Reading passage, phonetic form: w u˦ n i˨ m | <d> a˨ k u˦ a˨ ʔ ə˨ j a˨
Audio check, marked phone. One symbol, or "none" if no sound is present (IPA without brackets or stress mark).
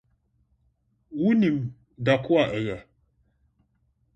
d